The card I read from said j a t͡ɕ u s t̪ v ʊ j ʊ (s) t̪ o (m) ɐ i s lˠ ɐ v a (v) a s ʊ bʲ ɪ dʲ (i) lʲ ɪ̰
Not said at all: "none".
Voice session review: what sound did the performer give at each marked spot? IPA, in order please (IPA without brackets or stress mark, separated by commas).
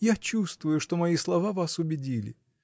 ʂ, m, v, i